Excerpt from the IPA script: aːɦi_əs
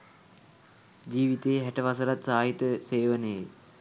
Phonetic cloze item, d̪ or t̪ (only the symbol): t̪